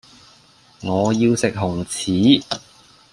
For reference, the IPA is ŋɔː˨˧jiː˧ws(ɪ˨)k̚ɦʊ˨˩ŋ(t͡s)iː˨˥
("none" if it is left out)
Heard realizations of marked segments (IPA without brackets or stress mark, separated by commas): ɪ˨, t͡sʰ